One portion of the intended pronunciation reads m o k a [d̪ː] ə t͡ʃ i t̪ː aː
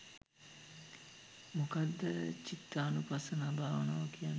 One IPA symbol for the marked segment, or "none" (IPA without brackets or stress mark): d̪ː